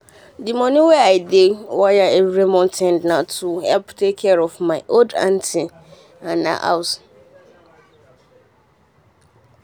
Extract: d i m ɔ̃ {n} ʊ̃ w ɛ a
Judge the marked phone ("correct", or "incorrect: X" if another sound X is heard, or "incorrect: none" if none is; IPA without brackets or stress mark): correct